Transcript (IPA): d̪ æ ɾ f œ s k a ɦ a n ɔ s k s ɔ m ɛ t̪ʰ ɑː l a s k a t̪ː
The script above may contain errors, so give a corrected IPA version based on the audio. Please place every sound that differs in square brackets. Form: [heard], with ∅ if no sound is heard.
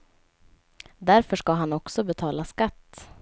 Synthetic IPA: d̪ æ ɾ f œ [ʂ] k a ɦ a n ɔ [∅] k s ɔ [b] ɛ t̪ʰ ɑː l a s k a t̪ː